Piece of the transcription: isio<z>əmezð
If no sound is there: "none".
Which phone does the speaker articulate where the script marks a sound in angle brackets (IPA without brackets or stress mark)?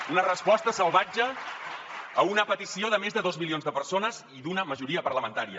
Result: ð